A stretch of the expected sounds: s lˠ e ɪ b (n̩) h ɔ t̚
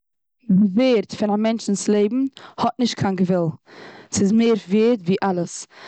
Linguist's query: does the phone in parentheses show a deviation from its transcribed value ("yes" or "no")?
yes